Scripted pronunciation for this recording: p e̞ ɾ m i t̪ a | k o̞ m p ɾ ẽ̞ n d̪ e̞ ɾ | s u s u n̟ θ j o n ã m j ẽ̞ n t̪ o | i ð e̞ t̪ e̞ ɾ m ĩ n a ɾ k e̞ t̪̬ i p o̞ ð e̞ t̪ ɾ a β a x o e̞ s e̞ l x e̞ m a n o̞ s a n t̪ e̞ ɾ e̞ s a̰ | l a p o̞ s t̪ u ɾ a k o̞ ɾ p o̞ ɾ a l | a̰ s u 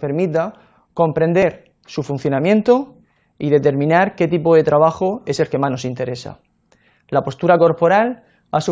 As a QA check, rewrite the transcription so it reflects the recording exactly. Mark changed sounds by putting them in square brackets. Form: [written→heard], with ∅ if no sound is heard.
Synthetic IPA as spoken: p e̞ ɾ m i t̪ a | k o̞ m p ɾ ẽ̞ n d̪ e̞ ɾ | s u [s→f] u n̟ θ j o n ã m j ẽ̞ n t̪ o | i ð e̞ t̪ e̞ ɾ m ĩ n a ɾ k e̞ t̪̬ i p o̞ ð e̞ t̪ ɾ a β a x o e̞ s e̞ l [x→k] e̞ m a n o̞ s [a→i] n t̪ e̞ ɾ e̞ s a̰ | l a p o̞ s t̪ u ɾ a k o̞ ɾ p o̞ ɾ a l | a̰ s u